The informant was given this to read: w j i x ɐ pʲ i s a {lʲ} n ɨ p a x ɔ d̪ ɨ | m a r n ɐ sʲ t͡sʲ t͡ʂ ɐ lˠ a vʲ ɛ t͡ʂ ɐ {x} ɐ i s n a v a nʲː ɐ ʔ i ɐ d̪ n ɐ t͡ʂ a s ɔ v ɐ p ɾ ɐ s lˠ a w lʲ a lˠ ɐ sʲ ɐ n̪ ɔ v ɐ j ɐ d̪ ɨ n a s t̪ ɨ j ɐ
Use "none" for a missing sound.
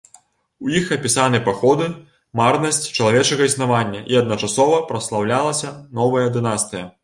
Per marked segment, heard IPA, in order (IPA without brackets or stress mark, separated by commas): none, ɣ